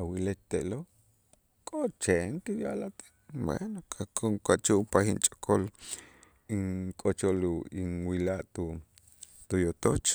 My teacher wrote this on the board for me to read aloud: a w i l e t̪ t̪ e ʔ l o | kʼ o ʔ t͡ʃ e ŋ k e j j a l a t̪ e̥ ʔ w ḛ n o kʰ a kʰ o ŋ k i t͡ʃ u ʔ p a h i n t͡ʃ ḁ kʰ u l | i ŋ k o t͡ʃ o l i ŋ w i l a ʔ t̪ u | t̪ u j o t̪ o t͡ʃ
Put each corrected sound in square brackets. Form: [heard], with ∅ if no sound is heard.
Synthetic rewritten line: a w i l e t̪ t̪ e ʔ l o | kʼ o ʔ t͡ʃ e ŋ k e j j a l a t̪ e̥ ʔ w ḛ n o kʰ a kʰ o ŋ k [a] t͡ʃ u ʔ p a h i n [t͡ʃʼ] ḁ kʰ [o] l | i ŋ [kʼ] o t͡ʃ o l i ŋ w i l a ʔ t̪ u | t̪ u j o t̪ o t͡ʃ